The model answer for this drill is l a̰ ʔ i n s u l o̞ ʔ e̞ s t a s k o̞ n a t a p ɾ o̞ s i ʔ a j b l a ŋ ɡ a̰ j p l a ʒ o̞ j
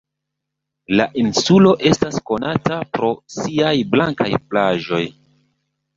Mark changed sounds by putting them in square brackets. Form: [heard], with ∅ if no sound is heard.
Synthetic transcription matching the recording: l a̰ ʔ i n s u l o̞ ʔ e̞ s t a s k o̞ n a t a p ɾ o̞ s i [∅] a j b l a ŋ [k] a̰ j p l a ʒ o̞ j